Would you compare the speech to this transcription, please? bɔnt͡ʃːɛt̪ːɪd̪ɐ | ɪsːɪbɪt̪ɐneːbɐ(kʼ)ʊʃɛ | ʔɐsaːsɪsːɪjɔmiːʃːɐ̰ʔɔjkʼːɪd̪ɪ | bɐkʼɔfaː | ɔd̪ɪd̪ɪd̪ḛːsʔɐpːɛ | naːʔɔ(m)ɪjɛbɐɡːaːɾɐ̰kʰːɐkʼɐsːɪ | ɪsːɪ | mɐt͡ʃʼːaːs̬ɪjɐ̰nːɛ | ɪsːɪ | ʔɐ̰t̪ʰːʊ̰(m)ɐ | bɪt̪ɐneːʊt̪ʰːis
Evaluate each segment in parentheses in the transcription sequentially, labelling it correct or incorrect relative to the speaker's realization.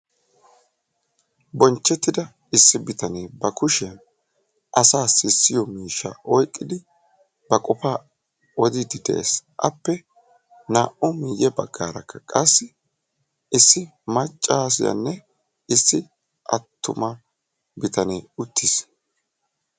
incorrect: k, correct, correct

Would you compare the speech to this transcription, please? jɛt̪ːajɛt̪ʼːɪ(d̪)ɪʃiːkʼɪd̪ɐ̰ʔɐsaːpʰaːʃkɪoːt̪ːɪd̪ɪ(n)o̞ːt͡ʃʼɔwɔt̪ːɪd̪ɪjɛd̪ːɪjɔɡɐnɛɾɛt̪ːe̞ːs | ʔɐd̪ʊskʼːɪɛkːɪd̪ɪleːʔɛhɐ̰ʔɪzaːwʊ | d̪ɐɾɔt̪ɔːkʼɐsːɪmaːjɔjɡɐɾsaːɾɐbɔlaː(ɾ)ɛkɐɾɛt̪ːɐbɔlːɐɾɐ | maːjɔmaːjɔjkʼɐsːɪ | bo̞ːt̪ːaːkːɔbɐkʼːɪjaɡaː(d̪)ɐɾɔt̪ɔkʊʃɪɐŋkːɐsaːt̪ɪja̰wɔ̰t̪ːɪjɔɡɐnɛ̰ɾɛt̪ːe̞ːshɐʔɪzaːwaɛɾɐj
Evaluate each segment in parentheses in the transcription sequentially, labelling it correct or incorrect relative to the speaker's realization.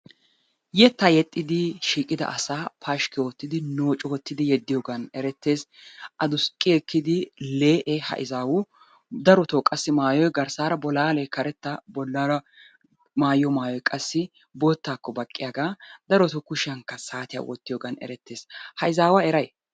correct, correct, incorrect: l, correct

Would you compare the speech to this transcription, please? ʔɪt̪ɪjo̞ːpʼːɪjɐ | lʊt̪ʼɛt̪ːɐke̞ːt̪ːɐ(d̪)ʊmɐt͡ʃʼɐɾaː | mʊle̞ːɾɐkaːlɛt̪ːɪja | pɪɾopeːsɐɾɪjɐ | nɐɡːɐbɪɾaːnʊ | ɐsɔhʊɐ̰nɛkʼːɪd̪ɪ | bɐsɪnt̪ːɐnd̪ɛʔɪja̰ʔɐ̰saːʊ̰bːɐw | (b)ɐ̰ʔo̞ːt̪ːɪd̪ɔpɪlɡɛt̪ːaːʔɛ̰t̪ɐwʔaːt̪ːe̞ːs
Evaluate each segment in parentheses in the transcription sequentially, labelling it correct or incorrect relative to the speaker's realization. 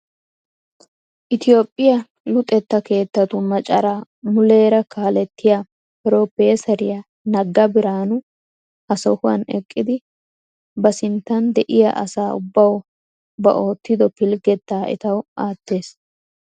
incorrect: t̪, correct

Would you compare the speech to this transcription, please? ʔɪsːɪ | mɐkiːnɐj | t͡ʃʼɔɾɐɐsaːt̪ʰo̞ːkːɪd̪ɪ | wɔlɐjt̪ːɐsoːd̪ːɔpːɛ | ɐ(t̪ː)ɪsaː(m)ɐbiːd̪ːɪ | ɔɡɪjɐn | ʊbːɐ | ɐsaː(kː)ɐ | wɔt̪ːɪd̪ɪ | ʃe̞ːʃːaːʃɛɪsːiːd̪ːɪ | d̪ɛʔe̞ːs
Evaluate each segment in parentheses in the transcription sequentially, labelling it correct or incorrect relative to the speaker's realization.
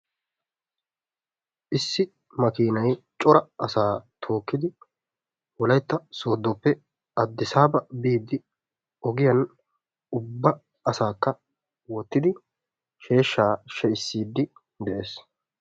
incorrect: d̪ː, incorrect: b, correct

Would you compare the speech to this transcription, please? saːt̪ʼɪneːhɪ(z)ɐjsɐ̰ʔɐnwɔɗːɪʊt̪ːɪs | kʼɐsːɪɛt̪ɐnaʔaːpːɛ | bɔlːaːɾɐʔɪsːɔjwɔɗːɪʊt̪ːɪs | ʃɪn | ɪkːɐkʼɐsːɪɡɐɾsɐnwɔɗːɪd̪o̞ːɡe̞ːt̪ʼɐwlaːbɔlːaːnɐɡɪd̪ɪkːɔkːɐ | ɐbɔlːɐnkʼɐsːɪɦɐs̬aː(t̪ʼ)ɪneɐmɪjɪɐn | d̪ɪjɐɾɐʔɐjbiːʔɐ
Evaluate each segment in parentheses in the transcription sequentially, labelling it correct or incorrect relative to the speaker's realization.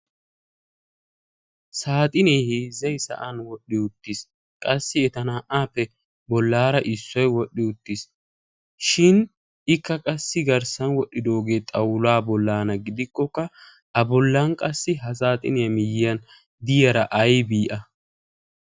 correct, correct

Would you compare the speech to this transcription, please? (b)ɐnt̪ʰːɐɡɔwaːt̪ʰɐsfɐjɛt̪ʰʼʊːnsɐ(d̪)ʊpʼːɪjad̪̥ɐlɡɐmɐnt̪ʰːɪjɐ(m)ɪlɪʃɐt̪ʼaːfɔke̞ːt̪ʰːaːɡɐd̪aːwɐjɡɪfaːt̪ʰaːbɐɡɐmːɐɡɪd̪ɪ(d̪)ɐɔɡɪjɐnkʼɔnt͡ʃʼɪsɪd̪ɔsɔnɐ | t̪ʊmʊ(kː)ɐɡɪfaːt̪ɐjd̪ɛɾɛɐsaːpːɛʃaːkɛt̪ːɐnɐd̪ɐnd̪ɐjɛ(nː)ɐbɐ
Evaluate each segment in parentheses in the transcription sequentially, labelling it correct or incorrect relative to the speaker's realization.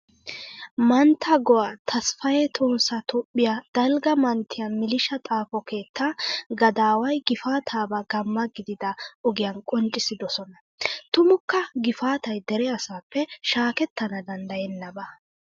incorrect: m, incorrect: t̪, correct, correct, correct, correct

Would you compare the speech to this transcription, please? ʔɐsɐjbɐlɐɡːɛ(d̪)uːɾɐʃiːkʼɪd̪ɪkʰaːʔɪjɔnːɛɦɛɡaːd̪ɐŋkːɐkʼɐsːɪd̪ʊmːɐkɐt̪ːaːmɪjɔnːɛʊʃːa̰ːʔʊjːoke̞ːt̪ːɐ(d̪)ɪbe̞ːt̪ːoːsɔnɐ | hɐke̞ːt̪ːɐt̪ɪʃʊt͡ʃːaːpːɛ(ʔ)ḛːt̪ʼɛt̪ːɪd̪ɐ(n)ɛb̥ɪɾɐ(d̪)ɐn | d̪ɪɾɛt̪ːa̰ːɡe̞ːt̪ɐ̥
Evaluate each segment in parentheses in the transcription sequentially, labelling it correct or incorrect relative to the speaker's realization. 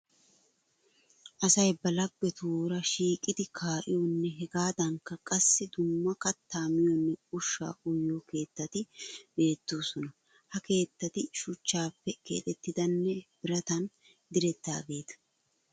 incorrect: t̪, incorrect: t̪, incorrect: k, incorrect: nː, incorrect: t̪

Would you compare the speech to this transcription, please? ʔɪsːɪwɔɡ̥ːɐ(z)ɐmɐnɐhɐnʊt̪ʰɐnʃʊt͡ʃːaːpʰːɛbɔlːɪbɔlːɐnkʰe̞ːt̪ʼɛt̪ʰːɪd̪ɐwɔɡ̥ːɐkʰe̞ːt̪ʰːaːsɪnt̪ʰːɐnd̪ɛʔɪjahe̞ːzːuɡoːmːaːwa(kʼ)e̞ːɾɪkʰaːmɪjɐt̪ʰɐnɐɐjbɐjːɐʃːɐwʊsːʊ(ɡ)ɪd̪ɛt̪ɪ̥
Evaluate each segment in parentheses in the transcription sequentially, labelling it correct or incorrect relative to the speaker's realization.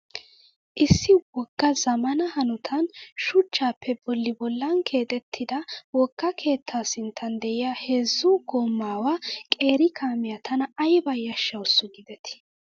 correct, correct, correct

